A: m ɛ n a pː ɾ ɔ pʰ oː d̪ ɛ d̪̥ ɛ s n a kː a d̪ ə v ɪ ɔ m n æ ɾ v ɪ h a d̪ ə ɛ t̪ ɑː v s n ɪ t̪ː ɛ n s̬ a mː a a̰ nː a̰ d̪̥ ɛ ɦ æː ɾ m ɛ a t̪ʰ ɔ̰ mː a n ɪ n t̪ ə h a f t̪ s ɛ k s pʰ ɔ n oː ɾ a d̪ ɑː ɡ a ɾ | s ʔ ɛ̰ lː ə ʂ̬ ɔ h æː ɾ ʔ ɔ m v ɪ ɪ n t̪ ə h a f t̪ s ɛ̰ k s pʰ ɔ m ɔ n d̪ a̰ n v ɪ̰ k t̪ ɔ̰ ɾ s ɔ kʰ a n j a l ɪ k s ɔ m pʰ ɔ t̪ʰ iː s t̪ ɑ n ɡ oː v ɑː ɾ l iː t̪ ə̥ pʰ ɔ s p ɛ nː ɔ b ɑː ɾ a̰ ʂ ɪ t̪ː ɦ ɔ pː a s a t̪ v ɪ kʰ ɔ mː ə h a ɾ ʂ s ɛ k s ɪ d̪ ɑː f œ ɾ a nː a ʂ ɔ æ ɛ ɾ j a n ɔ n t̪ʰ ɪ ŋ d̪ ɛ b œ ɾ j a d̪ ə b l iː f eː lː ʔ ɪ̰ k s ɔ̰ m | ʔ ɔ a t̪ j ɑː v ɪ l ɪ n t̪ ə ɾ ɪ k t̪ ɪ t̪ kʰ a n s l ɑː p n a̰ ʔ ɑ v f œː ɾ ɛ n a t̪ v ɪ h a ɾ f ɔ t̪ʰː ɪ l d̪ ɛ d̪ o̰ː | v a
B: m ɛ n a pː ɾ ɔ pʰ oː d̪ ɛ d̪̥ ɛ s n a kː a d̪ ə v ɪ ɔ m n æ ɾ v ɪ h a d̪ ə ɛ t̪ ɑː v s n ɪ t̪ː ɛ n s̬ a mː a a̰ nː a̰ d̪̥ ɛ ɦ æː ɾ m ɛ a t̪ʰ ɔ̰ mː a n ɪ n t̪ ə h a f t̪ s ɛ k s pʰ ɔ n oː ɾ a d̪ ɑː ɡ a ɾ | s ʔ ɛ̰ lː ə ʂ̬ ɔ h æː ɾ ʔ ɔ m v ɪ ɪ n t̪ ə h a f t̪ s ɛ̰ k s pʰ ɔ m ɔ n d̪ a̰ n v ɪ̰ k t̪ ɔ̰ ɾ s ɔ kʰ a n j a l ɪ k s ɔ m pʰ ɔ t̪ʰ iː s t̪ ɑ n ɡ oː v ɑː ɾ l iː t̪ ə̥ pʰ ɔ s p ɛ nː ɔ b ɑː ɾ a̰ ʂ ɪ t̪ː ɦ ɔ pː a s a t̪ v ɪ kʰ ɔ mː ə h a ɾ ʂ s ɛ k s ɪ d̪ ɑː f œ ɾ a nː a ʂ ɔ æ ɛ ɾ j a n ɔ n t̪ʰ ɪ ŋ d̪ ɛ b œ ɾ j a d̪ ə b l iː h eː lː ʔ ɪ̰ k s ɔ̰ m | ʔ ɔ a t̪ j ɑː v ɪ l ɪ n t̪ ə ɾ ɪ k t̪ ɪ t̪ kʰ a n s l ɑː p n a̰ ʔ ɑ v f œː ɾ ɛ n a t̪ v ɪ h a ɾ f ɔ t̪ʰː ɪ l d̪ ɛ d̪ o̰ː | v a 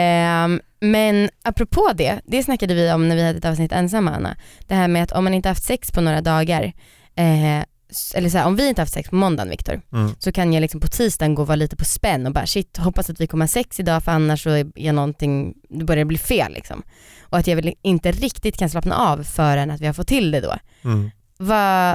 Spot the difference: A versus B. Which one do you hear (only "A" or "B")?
A